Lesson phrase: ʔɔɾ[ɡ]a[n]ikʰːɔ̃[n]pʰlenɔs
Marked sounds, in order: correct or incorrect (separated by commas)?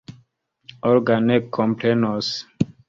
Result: correct, correct, incorrect